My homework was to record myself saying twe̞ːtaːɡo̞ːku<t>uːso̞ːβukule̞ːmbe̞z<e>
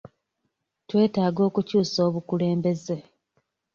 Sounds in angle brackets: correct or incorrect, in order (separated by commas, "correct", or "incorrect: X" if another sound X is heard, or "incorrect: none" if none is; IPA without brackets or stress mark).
incorrect: c, correct